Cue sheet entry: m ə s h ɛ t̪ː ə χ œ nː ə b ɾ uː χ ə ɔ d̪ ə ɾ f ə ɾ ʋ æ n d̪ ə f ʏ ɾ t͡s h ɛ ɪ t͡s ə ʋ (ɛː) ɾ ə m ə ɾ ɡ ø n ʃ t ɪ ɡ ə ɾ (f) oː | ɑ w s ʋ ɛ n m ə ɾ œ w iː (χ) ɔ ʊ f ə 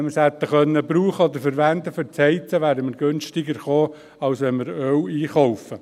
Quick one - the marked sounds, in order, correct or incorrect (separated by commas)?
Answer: incorrect, incorrect, correct